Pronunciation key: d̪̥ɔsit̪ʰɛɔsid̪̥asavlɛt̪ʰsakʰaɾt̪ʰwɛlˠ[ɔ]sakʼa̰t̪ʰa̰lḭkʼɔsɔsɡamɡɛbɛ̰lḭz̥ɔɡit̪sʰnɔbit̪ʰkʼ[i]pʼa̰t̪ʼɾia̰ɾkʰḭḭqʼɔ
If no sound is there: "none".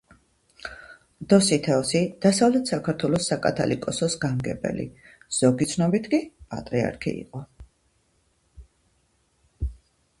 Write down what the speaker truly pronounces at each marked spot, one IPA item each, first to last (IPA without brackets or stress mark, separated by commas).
ɔ, i